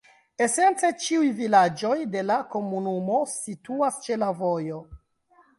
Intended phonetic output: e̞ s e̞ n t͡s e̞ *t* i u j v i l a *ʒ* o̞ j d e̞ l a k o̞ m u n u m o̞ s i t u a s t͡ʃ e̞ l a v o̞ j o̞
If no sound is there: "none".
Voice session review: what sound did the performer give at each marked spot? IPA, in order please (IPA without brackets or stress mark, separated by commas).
t͡ʃ, d͡ʒ